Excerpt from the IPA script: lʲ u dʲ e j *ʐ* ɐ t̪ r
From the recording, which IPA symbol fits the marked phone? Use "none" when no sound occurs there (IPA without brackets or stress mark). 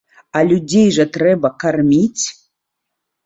ʐ